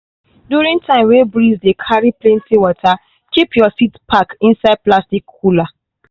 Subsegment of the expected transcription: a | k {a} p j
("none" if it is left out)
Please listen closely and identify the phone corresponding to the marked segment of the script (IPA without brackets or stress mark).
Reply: i